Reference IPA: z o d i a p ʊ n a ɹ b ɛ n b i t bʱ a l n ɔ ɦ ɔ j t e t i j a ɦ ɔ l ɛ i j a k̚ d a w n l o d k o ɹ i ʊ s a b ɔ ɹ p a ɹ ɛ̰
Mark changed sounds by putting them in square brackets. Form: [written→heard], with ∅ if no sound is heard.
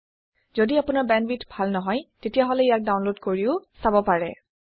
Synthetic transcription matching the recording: z o d i a p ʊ n a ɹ b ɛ n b i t bʱ a l n ɔ ɦ ɔ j t e t i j a ɦ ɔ l ɛ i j a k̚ d a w n l o d k o ɹ i ʊ s a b ɔ [ɹ→∅] p a ɹ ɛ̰